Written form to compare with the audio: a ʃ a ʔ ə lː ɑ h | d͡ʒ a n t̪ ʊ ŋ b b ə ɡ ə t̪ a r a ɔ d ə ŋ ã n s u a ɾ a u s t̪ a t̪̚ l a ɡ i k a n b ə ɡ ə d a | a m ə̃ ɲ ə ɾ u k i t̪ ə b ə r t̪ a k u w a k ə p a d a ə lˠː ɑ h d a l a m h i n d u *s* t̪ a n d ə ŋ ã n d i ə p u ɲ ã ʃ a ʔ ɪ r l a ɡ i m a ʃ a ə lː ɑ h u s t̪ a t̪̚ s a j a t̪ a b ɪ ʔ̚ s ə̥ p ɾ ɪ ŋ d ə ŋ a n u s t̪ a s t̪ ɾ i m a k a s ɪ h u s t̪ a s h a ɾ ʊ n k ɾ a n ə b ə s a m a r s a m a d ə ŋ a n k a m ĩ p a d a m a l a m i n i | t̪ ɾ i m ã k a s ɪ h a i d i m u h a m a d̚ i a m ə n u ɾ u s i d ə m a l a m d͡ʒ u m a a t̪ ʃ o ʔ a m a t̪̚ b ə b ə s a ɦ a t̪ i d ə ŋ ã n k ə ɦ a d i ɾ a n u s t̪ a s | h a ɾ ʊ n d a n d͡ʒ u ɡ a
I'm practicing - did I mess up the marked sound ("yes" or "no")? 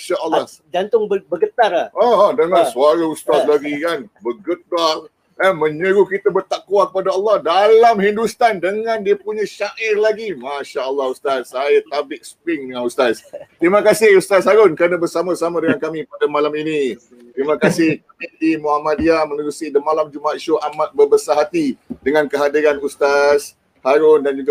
no